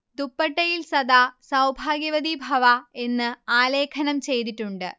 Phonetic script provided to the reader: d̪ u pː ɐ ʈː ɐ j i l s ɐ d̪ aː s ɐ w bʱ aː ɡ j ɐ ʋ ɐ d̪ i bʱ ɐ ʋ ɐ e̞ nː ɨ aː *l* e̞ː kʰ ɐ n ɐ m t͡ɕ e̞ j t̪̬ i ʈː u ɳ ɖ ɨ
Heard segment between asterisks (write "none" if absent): l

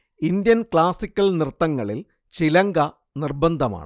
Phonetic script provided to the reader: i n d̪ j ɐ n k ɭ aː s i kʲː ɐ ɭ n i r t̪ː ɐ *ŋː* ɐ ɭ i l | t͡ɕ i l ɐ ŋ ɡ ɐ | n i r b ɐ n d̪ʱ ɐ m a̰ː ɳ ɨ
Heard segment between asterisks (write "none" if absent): ŋː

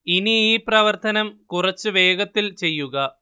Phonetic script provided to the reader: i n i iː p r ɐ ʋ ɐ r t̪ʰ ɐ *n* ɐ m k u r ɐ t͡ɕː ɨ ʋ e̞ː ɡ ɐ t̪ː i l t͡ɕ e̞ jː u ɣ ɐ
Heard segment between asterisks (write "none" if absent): n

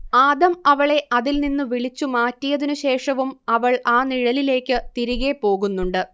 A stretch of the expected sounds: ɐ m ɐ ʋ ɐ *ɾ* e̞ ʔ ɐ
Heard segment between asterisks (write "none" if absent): ɭ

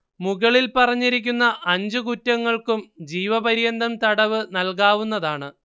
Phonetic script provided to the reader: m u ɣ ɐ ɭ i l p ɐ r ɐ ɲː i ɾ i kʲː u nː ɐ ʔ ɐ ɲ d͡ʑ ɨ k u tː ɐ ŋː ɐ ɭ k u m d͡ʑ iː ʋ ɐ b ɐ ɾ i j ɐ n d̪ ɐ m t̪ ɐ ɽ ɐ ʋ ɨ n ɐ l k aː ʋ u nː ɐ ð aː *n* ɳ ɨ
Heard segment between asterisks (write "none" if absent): none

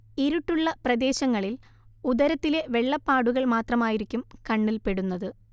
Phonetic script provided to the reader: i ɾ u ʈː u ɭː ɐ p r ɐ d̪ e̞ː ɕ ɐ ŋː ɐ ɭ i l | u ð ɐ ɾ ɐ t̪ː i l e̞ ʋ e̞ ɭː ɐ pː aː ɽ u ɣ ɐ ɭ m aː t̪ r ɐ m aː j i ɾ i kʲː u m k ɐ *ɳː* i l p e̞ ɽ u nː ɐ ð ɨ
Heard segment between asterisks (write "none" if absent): ɳː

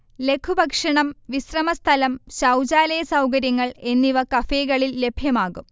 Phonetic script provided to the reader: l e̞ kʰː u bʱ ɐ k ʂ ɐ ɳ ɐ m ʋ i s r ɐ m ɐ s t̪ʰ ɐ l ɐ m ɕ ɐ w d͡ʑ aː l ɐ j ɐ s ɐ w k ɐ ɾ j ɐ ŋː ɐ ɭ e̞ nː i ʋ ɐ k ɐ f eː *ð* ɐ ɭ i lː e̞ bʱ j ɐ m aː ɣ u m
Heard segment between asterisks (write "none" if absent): ɣ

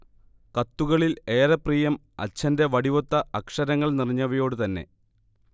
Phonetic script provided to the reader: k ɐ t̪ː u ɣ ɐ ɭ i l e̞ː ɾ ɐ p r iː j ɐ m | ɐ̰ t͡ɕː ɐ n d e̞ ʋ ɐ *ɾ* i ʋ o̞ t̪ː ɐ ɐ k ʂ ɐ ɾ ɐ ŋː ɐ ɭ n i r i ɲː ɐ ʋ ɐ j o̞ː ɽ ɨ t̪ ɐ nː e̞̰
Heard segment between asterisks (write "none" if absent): ɽ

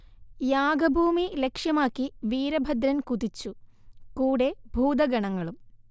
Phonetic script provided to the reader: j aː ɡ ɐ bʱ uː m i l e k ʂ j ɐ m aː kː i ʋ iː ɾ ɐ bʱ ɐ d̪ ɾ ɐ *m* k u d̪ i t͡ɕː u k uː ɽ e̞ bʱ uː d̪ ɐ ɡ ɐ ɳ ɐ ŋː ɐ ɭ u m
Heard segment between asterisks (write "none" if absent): n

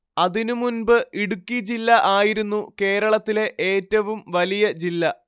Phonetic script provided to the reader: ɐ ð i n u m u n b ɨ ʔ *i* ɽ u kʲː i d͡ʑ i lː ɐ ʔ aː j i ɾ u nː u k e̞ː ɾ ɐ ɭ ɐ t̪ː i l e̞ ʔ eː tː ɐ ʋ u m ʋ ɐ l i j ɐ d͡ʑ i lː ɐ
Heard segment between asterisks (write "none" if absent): i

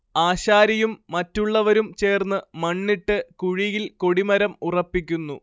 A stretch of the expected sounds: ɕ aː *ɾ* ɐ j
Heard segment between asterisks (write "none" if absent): ɾ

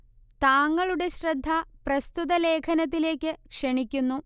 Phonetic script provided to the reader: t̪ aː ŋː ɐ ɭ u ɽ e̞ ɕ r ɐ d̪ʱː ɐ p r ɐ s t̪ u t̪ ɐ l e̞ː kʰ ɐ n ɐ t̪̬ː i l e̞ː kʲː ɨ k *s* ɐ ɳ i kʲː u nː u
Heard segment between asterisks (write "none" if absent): ʂ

